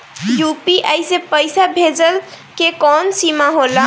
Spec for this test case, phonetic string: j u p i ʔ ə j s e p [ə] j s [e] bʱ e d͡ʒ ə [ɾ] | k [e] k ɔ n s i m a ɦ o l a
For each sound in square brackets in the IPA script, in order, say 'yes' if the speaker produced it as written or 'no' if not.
yes, no, no, yes

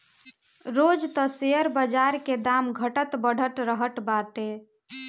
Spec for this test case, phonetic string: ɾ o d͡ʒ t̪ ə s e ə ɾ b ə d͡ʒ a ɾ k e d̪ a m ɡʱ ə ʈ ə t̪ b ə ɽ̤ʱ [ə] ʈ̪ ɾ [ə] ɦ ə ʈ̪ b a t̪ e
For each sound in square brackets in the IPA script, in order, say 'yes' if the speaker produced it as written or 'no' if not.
yes, yes

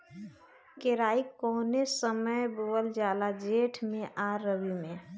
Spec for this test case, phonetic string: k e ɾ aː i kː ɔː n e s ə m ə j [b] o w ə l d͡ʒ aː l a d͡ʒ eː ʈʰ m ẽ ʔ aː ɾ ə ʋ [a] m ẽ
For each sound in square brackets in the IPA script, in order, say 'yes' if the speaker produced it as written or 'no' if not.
yes, no

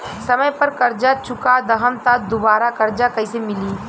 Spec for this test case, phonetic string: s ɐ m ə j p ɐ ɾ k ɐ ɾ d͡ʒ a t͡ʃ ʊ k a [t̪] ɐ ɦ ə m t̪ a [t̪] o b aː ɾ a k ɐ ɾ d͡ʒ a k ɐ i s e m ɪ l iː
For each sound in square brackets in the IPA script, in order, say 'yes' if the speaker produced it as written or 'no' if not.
no, no

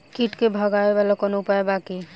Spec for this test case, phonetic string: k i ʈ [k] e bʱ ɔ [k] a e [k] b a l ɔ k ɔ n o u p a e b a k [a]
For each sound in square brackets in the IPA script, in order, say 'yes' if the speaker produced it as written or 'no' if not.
yes, no, no, no

